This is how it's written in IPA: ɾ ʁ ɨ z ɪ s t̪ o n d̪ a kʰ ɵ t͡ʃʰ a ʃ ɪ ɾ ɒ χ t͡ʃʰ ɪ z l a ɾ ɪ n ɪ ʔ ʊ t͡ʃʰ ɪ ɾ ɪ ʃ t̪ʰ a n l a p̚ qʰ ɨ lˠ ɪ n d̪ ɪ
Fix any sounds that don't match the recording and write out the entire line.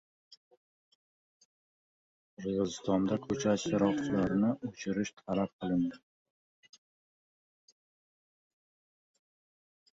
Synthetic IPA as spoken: ɾ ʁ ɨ z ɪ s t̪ ɒ n d̪ a kʰ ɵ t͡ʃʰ a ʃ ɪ ɾ ɒ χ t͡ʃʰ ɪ l a ɾ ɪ n ɪ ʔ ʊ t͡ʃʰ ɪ ɾ ɪ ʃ t̪ʰ a l a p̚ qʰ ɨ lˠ ɪ n d̪ ɪ

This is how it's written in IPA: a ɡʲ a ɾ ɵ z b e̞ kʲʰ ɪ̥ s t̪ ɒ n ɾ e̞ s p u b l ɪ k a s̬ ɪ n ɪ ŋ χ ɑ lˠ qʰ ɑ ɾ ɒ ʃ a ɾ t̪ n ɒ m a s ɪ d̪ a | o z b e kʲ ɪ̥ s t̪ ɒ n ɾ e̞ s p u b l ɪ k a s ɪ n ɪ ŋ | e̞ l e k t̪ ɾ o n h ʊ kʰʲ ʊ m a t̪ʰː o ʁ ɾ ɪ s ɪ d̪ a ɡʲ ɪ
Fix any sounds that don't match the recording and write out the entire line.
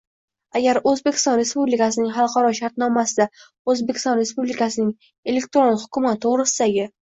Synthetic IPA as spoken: a ɡʲ a ɾ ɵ z b e̞ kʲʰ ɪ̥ s t̪ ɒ n ɾ e̞ s p u b l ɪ k a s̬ ɪ n ɪ ŋ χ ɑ lˠ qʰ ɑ ɾ ɒ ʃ a ɾ t̪ n ɒ m a s ɪ d̪ a | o z b e kʲ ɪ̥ s t̪ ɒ n ɾ e̞ s p u b l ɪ k a s ɪ n ɪ ŋ | e̞ l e k t̪ ɾ o n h ʊ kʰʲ ʊ m a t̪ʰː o ʁ ɾ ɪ s ɪ d̪ a ɡʲ ɪ

